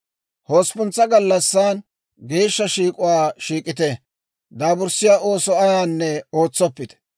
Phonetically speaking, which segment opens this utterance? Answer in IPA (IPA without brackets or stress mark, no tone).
h